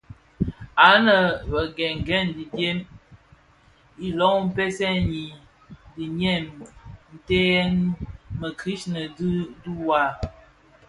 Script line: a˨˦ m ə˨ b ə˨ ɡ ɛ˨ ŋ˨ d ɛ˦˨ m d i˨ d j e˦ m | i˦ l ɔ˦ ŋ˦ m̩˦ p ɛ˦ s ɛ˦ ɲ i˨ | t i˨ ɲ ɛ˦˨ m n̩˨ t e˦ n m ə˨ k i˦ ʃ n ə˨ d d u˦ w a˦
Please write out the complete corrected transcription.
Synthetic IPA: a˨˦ n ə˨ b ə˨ ɡ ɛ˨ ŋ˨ ɡ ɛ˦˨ n d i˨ d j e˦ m | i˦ l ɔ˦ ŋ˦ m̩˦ p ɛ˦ s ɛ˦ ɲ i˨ | d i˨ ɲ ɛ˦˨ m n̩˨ t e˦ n m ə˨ k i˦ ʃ n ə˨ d d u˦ w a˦